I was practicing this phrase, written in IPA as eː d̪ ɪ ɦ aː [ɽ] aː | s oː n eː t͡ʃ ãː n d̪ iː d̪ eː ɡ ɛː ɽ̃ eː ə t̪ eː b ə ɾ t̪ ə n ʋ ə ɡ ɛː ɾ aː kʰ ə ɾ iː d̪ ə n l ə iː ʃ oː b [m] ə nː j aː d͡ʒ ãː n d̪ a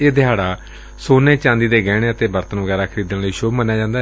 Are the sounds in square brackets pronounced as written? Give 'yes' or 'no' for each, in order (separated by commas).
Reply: yes, yes